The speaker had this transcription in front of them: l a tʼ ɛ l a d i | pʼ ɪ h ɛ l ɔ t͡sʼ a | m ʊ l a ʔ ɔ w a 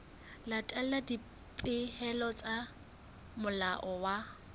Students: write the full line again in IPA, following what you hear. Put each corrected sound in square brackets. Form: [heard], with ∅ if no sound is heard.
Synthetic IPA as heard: l a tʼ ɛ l a d i | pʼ ɪ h ɛ l ɔ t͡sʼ a | m ʊ l a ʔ ɔ w a